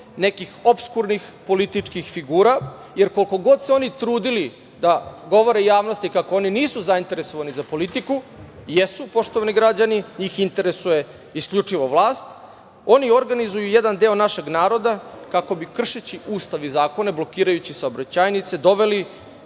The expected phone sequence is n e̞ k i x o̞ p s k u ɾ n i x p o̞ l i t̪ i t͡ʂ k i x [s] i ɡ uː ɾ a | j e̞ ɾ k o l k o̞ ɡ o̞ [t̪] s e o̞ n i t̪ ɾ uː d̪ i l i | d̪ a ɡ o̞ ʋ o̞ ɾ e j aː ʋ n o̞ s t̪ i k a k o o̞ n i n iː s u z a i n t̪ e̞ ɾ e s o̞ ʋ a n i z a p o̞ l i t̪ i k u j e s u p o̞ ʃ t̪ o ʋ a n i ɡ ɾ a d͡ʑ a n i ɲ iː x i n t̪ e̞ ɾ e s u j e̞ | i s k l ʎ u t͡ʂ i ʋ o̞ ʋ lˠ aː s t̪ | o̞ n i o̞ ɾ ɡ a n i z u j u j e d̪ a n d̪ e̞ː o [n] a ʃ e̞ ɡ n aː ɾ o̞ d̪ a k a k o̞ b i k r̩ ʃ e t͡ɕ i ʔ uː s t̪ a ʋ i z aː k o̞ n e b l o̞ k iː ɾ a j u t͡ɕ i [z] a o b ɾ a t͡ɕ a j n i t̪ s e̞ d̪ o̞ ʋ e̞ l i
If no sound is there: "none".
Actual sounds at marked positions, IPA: f, d̪, n, s

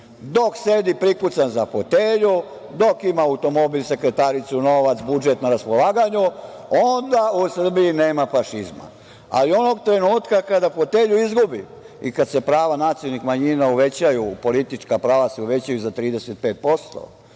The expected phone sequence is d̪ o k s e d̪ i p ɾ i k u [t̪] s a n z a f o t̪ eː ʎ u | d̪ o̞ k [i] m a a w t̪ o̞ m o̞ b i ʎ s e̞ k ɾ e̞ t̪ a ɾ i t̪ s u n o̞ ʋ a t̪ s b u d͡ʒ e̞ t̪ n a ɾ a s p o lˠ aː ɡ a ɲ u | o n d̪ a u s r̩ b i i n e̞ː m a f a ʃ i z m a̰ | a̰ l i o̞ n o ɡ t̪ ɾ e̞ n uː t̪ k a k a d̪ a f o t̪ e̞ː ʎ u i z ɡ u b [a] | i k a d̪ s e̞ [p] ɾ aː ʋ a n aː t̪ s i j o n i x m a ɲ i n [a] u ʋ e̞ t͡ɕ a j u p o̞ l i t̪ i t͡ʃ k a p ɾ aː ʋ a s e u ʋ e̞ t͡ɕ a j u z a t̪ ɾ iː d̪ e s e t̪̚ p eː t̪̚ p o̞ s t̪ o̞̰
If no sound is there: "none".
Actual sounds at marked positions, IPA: t̪, i, i, p, a

